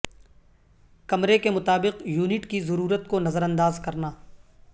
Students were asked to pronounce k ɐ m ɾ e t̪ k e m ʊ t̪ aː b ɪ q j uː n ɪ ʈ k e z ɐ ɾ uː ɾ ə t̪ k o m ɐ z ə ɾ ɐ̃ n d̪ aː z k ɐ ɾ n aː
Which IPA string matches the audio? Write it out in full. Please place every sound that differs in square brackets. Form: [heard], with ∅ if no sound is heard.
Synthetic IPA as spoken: k ɐ m ɾ e [∅] k e m ʊ t̪ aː b ɪ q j uː n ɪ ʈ k [i] z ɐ ɾ uː ɾ ə t̪ k o [n] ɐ z ə ɾ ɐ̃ n d̪ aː z k ɐ ɾ n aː